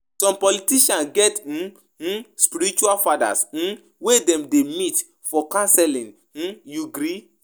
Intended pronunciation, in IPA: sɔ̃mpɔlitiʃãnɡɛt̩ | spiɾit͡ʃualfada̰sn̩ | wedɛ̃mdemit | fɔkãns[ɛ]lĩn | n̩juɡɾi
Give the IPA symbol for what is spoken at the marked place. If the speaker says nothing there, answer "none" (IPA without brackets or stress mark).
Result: ɛ